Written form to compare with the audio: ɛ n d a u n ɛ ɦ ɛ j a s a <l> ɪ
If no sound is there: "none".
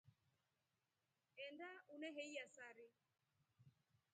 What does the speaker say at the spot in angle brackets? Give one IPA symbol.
ɾ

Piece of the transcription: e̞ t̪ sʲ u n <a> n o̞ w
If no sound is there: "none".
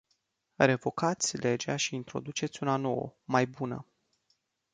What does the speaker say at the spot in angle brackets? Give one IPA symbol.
a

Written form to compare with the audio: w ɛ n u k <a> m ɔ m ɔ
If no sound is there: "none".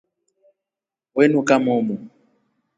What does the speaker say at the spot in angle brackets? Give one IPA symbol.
a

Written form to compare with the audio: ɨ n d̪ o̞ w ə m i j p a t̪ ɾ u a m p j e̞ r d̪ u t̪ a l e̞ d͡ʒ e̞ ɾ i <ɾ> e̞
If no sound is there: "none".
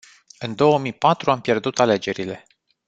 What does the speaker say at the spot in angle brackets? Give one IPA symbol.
l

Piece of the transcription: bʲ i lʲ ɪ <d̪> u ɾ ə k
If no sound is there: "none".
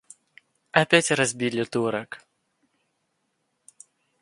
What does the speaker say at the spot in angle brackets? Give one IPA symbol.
t̪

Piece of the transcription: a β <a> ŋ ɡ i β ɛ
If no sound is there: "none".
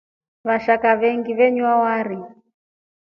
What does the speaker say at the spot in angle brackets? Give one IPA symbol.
ɛ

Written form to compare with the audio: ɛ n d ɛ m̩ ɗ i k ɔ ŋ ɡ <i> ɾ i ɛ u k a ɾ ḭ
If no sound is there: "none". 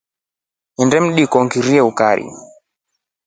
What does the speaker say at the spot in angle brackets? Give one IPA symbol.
i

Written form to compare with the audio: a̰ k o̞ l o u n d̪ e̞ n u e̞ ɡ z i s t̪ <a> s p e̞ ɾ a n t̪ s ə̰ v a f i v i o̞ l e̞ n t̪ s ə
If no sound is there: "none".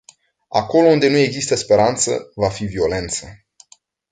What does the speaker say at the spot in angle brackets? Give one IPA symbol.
ə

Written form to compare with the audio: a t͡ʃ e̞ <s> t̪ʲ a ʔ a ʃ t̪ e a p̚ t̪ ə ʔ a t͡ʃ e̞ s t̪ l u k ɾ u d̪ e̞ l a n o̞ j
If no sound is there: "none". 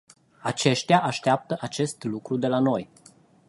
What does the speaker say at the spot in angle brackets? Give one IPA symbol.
ʃ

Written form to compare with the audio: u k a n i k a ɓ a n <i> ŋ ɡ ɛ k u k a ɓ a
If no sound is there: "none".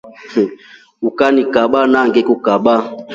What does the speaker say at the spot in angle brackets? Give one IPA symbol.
a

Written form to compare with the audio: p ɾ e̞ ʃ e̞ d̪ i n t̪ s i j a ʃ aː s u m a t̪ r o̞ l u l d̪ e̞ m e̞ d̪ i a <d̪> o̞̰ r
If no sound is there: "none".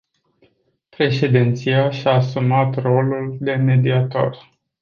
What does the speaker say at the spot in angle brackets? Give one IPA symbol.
t̪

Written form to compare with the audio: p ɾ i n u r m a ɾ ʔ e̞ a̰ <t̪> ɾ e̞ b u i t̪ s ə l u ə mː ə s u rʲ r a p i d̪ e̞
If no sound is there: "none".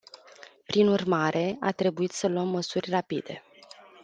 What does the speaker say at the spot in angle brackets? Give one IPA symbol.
t̪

